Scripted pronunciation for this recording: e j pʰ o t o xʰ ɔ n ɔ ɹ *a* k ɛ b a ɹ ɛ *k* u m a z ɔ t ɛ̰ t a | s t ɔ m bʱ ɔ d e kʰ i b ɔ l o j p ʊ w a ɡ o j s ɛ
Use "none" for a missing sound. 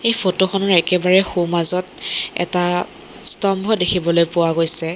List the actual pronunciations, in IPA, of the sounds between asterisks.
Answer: ɛ, x

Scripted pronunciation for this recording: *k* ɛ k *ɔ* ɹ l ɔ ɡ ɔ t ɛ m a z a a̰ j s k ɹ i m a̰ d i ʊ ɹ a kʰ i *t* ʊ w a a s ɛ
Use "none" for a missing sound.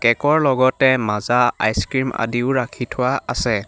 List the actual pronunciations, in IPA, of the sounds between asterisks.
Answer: k, ɔ, tʰ

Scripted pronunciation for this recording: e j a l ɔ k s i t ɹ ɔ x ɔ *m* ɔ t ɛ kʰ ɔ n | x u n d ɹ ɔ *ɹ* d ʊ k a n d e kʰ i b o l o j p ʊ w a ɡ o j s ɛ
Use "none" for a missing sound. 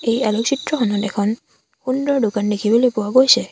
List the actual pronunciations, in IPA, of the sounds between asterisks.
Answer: n, ɹ

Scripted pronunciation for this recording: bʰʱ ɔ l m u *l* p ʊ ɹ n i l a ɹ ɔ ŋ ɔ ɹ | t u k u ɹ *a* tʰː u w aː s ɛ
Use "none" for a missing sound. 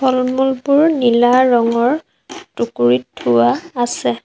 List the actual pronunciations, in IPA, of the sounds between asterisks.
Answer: l, i

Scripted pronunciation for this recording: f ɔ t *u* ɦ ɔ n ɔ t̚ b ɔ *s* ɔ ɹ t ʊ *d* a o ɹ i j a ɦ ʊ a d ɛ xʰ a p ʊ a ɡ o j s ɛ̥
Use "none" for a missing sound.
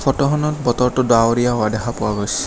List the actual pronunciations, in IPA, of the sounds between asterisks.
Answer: ɔ, t, d

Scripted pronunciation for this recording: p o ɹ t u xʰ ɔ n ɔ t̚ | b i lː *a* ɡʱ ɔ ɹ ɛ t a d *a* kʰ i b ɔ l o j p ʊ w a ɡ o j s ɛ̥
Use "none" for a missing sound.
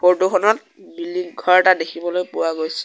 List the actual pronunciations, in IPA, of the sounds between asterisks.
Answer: i, e

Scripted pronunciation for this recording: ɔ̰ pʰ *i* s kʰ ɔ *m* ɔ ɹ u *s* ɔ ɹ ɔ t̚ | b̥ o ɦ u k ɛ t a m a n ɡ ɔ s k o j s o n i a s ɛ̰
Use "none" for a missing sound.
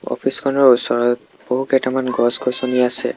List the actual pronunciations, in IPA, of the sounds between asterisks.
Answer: i, n, s

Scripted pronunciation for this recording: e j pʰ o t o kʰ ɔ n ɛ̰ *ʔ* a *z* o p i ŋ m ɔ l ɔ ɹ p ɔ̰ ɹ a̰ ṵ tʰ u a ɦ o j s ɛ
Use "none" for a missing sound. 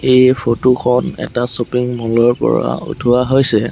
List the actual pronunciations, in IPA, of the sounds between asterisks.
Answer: t, s

